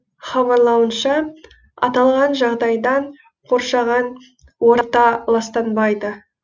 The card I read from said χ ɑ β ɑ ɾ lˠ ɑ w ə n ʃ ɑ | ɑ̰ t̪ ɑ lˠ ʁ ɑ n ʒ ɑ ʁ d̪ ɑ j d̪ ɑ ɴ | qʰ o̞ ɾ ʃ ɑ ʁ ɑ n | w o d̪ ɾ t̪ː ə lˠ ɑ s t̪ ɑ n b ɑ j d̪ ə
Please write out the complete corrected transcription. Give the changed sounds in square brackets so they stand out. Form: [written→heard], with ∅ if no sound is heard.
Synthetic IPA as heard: χ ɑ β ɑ ɾ lˠ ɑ w ə n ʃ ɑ | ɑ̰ t̪ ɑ lˠ ʁ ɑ n ʒ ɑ ʁ d̪ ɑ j d̪ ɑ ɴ | qʰ o̞ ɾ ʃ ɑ ʁ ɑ n | w o [d̪→∅] ɾ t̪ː [ə→ɑ] lˠ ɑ s t̪ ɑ n b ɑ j d̪ ə